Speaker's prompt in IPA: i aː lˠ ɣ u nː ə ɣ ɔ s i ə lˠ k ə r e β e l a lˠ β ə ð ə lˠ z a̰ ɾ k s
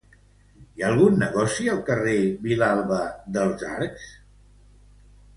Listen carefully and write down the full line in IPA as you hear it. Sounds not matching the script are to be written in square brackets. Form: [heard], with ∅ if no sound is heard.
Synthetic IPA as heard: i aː lˠ ɣ u nː ə ɣ ɔ s i ə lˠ k ə r e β [i] l a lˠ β ə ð ə lˠ z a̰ ɾ k s